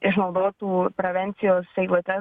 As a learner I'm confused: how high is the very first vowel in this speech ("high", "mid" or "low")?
high